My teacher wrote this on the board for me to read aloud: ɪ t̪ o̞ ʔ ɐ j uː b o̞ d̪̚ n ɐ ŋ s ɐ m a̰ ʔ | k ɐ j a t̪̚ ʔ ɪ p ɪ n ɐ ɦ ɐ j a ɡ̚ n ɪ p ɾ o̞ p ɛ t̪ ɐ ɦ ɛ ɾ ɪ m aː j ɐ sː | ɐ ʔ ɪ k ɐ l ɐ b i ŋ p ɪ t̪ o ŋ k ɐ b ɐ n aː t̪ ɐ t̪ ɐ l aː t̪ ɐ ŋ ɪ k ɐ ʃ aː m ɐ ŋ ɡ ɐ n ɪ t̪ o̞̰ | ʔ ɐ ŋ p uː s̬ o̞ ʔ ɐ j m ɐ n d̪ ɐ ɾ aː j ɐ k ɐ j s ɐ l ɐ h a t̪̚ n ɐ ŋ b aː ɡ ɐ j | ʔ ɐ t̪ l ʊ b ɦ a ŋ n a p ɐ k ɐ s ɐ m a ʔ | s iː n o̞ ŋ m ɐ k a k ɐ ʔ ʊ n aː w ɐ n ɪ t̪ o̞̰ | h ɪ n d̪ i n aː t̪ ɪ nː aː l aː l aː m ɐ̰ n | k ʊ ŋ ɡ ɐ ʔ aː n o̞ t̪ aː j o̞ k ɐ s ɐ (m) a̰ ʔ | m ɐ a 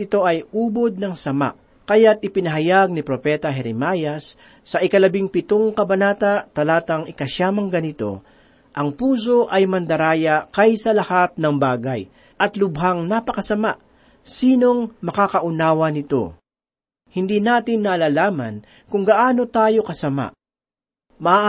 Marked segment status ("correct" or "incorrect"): correct